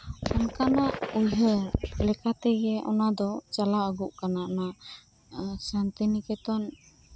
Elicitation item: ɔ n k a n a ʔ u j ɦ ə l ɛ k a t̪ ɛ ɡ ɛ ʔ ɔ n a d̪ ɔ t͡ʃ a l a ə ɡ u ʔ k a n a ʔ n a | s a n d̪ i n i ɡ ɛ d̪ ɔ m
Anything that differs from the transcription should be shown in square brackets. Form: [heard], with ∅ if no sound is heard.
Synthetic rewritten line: ɔ n k a n a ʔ u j ɦ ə l ɛ k a t̪ ɛ ɡ ɛ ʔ ɔ n a d̪ ɔ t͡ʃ a l a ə ɡ u ʔ k a n a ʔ n a | s a n [t̪] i n i [k] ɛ [t̪] ɔ [n]